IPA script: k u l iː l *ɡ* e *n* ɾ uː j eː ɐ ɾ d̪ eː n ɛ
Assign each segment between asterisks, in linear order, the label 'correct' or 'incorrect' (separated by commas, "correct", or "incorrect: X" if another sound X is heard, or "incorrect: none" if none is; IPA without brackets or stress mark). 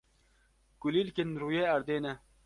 incorrect: k, correct